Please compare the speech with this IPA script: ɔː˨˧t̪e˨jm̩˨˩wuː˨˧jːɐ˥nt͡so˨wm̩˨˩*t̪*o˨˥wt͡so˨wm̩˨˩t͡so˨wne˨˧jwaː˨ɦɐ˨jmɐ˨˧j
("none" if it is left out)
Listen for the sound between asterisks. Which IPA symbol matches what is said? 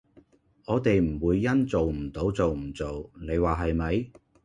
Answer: t̪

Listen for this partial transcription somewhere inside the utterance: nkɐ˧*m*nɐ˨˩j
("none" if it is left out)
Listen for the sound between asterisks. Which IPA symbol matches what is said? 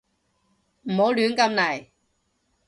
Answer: m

